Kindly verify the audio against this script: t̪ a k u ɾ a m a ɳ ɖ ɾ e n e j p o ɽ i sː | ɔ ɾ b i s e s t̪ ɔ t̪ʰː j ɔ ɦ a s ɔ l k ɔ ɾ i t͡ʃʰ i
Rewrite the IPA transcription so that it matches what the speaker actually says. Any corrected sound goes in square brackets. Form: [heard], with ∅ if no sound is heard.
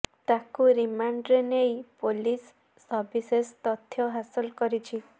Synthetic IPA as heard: t̪ a k u ɾ [i] m a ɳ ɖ ɾ e n e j p o [l] i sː | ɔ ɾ b i s e s t̪ ɔ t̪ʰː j ɔ ɦ a s ɔ l k ɔ ɾ i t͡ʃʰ i